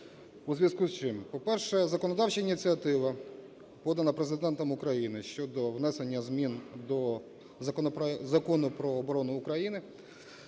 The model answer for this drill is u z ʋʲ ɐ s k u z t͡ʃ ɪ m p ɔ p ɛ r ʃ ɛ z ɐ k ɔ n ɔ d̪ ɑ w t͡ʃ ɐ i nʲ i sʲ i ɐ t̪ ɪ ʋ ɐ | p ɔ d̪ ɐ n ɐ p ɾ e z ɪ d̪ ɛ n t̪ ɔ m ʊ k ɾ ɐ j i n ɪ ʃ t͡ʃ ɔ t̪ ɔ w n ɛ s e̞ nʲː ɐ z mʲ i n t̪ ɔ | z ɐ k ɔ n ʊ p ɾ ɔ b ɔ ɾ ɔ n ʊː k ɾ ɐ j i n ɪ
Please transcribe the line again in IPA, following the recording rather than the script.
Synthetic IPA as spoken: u z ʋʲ ɐ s k u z t͡ʃ ɪ m p ɔ p ɛ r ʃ ɛ z ɐ k ɔ n ɔ d̪ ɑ w t͡ʃ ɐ i nʲ i t͡sʲ i ɐ t̪ ɪ ʋ ɐ | p ɔ d̪ ɐ n ɐ p ɾ e z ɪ d̪ ɛ n t̪ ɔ m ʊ k ɾ ɐ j i n ɪ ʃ t͡ʃ ɔ d̪ ɔ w n ɛ s e̞ nʲː ɐ z mʲ i n d̪ ɔ | z ɐ k ɔ n ʊ p ɾ ɔː b ɔ ɾ ɔ n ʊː k ɾ ɐ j i n ɪ